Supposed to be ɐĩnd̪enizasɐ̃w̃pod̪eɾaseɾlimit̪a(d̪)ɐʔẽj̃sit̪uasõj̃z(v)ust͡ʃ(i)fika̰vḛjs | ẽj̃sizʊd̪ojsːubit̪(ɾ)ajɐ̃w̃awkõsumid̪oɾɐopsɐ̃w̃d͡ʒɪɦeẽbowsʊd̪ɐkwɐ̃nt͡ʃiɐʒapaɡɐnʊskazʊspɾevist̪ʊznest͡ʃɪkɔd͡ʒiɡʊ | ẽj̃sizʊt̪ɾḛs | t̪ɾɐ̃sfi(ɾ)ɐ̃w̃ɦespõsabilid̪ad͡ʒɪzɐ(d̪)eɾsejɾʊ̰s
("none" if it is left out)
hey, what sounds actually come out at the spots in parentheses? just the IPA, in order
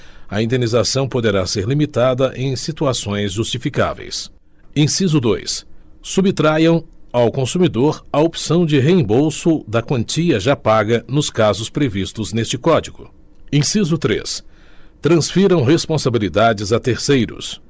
d̪, ʒ, i, ɾ, ɾ, t̪

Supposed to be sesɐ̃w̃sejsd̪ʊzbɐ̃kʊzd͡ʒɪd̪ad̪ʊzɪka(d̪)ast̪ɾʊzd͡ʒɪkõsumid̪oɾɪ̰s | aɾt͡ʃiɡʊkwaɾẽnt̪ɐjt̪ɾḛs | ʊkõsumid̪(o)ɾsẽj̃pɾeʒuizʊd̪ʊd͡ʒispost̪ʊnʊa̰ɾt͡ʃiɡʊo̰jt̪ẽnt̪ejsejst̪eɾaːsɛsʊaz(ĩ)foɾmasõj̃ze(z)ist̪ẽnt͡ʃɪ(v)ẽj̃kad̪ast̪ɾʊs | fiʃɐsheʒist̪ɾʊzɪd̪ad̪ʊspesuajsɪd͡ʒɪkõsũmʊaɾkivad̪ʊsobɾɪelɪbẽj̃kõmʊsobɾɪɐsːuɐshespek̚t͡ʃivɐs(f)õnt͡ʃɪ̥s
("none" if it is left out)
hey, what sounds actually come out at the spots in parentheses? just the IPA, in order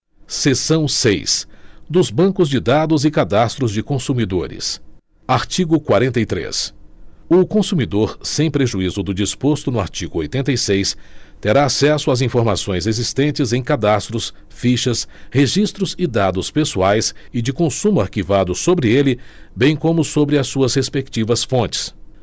d̪, o, ĩ, z, z, f

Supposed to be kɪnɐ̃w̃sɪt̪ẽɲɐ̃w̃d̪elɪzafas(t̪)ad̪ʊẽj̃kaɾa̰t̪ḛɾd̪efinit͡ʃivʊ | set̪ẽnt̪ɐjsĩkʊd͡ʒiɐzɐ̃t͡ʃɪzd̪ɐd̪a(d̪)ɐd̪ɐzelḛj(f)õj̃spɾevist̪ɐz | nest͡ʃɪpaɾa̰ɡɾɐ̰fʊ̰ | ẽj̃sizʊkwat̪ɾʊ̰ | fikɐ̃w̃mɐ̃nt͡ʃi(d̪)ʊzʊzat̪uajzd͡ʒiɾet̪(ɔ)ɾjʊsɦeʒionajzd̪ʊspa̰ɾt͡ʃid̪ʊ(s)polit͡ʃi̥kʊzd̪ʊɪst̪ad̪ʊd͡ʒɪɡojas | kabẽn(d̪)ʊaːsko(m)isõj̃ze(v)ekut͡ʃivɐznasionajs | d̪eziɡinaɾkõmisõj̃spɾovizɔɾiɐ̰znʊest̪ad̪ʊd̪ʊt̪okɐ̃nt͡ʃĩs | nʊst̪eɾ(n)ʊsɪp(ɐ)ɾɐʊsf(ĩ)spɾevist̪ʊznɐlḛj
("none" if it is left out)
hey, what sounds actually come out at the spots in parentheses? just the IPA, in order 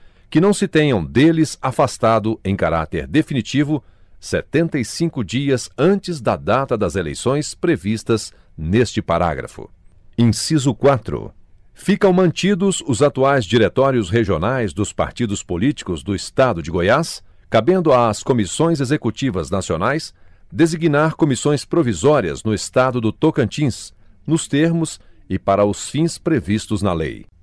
t̪, t̪, s, d̪, ɔ, s, d̪, m, z, m, a, ĩ

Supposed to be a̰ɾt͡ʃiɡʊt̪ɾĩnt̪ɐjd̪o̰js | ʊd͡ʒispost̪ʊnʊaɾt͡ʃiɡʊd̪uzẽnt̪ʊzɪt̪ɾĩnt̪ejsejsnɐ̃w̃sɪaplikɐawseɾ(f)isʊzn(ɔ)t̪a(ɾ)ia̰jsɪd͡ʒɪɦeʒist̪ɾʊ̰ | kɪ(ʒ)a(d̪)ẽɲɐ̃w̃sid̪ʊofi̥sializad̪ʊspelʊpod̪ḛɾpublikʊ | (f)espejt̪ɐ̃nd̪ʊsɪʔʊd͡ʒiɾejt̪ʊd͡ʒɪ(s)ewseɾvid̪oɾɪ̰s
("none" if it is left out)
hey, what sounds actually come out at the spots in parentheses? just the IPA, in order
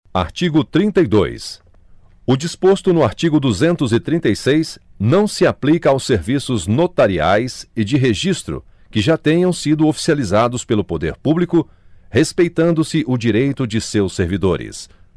v, o, ɾ, ʒ, t̪, h, s

